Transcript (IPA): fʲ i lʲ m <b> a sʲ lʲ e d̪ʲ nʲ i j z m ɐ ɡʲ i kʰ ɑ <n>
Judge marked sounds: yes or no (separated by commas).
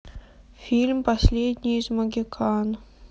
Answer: no, yes